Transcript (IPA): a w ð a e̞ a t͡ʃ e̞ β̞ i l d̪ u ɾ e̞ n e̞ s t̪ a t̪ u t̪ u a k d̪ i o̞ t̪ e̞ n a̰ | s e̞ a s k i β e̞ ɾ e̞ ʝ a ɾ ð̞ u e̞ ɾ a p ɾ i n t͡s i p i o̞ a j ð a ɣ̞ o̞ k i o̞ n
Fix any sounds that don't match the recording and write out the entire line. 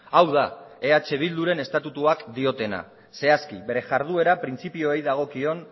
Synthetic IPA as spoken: a w ð a e̞ a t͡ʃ e̞ β̞ i l d̪ u ɾ e̞ n e̞ s t̪ a t̪ u t̪ u a k d̪ i o̞ t̪ e̞ n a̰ | s e̞ a s k i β e̞ ɾ e̞ ʝ a ɾ ð̞ u e̞ ɾ a p ɾ i n t͡s i p i o̞ e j ð a ɣ̞ o̞ k i o̞ n